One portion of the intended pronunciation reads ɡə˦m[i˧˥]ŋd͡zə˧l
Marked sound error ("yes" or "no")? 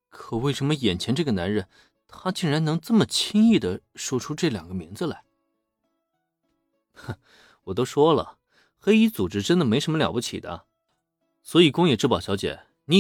no